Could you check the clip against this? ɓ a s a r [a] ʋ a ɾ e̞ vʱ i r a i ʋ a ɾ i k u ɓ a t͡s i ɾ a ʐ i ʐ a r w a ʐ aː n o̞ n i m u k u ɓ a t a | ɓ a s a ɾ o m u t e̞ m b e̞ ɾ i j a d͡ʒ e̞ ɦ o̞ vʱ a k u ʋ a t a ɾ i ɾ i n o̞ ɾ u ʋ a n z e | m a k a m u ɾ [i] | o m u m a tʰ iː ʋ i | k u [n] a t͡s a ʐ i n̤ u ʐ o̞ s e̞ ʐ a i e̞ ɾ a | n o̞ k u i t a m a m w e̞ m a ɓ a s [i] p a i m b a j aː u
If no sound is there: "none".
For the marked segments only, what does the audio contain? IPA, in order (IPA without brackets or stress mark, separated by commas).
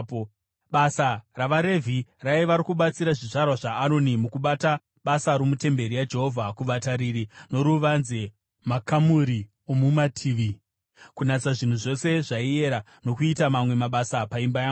a, i, n, a